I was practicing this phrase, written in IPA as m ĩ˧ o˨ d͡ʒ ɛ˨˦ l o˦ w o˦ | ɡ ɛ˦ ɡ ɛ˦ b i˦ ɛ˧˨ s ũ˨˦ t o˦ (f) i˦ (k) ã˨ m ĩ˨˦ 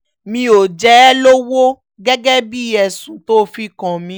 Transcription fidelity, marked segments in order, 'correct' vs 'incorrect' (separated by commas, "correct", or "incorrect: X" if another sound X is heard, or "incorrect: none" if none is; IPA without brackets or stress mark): correct, correct